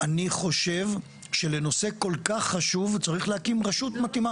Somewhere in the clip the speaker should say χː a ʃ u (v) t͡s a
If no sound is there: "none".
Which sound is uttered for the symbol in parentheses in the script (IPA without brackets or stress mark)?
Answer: v